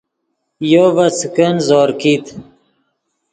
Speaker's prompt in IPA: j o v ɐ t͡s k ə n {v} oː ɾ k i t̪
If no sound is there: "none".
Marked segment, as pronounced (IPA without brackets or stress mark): z